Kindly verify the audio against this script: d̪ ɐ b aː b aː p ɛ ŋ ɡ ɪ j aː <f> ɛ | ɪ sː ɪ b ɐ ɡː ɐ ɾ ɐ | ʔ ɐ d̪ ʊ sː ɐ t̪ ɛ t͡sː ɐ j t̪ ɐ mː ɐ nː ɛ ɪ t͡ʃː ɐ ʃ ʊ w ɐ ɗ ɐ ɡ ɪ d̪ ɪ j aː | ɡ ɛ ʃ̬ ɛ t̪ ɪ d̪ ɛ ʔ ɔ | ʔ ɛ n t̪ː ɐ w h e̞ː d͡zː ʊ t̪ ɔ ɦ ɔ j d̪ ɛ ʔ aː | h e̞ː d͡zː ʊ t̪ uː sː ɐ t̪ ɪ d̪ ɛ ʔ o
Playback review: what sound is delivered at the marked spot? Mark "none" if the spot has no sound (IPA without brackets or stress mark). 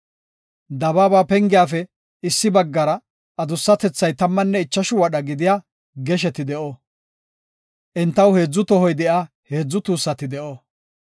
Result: f